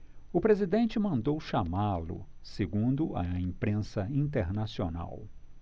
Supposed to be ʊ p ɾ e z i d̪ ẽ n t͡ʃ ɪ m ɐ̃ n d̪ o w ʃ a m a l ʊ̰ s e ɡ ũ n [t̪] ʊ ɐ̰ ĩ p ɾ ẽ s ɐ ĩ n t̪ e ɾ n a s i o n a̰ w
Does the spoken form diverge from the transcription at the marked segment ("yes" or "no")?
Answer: yes